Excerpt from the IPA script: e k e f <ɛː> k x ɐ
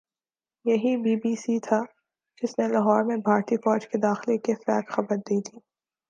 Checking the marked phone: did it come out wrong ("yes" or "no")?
no